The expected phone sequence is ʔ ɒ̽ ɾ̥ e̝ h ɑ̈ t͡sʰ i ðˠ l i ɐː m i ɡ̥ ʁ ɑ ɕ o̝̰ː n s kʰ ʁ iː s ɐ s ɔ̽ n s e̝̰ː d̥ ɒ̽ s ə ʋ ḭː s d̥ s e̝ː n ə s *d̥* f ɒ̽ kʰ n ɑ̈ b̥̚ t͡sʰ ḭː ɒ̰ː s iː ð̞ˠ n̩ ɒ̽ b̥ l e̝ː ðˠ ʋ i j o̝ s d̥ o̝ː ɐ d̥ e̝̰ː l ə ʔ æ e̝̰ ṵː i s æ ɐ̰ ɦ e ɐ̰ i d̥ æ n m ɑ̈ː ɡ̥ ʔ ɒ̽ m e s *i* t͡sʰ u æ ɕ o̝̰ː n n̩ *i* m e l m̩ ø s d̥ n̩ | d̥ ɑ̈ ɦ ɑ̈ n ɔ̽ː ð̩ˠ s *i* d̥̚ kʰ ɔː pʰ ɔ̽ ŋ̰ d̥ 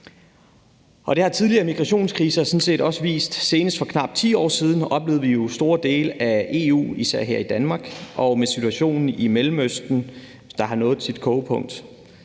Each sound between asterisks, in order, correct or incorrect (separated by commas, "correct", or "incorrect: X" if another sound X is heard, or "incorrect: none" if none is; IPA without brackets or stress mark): correct, correct, correct, correct